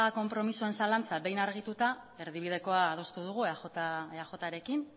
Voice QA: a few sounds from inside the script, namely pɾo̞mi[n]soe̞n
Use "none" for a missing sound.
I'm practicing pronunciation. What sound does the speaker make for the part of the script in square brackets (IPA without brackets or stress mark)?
none